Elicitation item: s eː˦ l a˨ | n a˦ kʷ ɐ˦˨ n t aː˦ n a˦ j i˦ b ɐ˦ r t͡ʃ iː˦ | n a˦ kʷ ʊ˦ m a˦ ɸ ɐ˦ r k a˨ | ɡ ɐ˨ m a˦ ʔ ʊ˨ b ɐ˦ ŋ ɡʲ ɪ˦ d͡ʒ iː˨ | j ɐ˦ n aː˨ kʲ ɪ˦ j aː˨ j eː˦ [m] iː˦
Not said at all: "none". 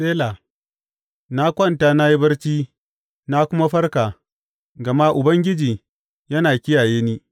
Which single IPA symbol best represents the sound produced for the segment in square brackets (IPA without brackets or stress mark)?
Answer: n